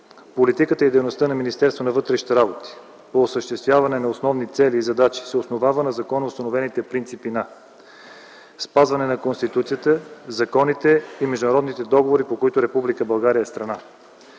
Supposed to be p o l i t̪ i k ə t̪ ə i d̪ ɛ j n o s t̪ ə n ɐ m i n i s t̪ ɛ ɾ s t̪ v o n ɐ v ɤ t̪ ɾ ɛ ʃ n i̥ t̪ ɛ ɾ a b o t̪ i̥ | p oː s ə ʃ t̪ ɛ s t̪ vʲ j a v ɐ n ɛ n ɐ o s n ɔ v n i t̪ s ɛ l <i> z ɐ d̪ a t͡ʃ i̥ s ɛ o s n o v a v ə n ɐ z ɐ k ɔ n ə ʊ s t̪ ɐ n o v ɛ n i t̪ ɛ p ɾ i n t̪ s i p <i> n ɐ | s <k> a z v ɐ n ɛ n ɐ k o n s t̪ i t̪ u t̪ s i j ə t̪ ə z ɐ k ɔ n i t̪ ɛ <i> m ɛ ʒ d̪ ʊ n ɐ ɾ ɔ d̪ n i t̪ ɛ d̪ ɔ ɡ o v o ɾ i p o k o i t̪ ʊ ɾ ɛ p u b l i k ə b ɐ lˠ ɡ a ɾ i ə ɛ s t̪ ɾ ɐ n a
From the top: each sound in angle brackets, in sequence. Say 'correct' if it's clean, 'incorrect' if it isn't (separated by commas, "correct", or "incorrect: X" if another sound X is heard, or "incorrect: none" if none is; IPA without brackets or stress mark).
incorrect: iː, correct, incorrect: p, correct